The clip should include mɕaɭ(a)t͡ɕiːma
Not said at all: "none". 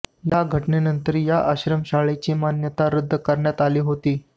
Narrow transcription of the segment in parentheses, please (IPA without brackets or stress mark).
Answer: e